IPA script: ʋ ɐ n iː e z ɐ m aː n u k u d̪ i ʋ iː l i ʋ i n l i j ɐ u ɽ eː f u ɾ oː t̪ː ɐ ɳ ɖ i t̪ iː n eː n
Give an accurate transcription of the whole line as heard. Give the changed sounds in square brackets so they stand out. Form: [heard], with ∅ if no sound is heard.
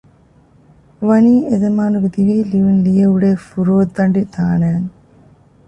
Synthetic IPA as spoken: ʋ ɐ n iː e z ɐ m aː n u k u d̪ i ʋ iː l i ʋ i n l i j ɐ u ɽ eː f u ɾ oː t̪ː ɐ ɳ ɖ i t̪ [aː] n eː n

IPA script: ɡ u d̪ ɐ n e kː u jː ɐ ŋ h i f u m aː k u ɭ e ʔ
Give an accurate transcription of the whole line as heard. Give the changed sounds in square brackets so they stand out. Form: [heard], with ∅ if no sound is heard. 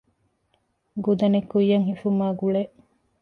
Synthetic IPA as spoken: ɡ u d̪ ɐ n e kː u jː ɐ ŋ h i f u m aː [ɡ] u ɭ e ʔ

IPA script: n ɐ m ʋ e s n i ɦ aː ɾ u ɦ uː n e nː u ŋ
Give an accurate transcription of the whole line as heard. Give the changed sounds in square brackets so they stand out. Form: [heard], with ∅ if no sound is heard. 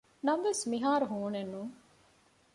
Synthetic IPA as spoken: n ɐ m ʋ e s [m] i ɦ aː ɾ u ɦ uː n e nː u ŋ

